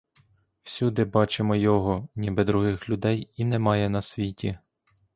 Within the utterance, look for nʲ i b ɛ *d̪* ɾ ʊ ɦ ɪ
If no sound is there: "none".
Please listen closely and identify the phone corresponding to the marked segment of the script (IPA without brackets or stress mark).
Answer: d̪